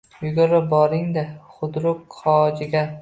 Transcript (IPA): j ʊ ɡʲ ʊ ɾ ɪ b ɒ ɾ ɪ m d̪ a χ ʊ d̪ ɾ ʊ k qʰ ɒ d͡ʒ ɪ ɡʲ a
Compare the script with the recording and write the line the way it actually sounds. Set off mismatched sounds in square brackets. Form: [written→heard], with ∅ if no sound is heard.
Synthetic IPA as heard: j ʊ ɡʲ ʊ ɾ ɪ b ɒ ɾ ɪ [m→ŋ] d̪ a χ ʊ d̪ ɾ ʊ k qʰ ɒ d͡ʒ ɪ ɡʲ a